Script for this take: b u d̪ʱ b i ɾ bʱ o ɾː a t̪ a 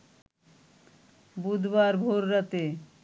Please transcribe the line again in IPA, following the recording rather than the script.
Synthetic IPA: b u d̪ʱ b a ɾ bʱ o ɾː a t̪ e